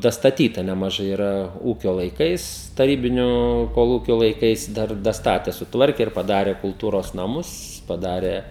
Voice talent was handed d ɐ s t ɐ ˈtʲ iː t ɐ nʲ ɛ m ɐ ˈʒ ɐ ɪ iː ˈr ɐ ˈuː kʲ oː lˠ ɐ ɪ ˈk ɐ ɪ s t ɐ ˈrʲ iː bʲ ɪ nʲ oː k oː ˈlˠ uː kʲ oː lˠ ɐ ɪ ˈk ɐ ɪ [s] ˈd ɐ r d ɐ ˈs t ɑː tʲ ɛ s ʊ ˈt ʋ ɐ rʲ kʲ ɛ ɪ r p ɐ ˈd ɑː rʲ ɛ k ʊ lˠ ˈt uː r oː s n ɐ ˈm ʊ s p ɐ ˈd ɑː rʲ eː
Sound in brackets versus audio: correct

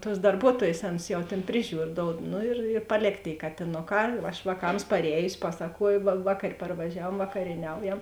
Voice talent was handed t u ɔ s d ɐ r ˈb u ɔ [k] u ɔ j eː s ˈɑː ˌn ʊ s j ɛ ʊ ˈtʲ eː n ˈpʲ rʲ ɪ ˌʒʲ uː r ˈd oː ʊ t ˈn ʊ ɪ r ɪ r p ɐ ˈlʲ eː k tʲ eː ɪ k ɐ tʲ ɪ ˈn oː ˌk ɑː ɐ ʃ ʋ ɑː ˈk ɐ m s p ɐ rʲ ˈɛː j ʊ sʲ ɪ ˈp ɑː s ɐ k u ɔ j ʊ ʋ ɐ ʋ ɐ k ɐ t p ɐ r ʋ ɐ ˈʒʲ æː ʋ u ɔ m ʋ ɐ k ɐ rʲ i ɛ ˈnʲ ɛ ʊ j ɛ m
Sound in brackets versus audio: incorrect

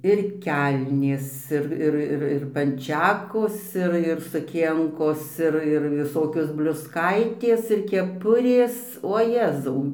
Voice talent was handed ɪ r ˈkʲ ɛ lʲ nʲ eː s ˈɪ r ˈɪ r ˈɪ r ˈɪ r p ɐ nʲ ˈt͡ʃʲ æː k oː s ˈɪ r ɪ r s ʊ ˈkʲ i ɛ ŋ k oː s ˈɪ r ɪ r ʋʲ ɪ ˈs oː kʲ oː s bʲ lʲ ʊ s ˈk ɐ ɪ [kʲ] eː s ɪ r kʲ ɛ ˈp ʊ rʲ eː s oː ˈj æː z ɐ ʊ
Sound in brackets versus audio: incorrect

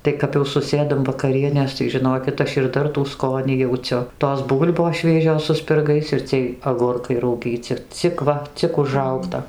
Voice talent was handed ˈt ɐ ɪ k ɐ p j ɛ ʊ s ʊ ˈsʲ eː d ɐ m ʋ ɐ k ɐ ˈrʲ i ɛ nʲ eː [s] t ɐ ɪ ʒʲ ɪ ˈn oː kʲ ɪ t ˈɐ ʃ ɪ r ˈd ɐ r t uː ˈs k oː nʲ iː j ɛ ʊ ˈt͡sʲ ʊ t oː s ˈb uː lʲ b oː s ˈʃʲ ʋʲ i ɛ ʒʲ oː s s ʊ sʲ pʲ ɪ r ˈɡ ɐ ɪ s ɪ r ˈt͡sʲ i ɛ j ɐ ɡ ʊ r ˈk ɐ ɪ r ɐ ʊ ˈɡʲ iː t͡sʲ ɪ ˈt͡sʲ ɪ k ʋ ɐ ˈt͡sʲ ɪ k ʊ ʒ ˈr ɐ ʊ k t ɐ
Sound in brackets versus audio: correct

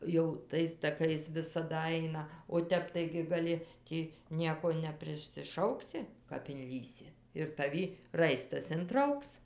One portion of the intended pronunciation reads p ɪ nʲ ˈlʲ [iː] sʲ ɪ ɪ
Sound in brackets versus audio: correct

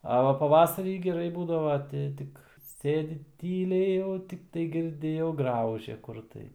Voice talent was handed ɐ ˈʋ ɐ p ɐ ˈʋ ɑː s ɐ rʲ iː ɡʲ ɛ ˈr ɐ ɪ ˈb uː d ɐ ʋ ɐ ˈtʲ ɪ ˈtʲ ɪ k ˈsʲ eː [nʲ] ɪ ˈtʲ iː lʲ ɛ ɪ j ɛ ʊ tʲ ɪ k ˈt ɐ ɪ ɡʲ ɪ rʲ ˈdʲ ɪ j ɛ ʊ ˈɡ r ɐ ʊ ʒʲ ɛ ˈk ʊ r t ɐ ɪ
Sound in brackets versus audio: incorrect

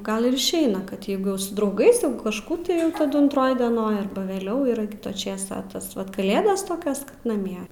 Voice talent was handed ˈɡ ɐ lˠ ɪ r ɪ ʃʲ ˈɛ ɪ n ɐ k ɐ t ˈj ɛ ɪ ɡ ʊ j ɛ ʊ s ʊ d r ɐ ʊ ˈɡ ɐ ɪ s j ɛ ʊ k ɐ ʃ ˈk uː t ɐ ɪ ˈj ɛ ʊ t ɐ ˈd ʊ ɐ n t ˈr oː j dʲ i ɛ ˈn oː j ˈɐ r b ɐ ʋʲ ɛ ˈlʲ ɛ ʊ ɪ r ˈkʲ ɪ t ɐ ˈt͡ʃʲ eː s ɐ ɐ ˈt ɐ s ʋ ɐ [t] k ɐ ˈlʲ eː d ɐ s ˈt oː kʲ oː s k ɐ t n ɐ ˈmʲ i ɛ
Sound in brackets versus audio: correct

